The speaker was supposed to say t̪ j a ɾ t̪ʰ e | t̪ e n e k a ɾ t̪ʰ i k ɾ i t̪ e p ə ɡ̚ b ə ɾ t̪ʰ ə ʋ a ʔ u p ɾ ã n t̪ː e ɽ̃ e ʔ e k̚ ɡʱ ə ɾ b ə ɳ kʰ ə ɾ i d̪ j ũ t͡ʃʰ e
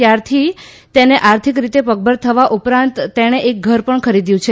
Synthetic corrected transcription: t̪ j a ɾ t̪ʰ i | t̪ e n e ʔ a ɾ t̪ʰ i k ɾ i t̪ e p ə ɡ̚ b ə ɾ t̪ʰ ə ʋ a ʔ u p ɾ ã n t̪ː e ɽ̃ e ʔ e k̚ ɡʱ ə ɾ p ə ɳ kʰ ə ɾ i d̪ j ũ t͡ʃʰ e